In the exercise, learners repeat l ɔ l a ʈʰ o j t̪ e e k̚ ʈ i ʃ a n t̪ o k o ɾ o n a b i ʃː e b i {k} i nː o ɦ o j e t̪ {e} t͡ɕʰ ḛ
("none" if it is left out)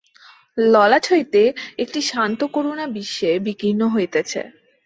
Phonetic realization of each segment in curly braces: k, e

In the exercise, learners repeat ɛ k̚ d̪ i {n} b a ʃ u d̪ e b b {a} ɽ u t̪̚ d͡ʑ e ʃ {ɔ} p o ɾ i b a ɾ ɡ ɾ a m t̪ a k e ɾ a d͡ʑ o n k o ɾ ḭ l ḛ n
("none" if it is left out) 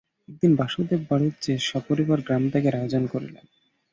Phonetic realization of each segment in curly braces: n, a, ɔ

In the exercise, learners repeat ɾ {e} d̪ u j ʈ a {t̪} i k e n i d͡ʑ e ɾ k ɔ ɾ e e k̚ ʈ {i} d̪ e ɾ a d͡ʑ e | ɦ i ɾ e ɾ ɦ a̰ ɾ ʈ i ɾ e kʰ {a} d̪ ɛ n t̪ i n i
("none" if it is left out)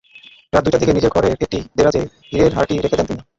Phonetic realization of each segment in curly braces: a, d̪, i, e

